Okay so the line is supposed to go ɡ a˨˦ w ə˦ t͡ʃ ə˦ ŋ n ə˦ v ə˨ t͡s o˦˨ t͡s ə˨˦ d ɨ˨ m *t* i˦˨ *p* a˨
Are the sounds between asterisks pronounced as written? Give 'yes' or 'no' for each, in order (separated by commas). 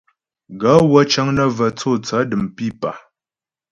no, yes